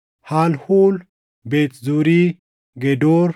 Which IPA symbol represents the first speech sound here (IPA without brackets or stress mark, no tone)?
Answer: h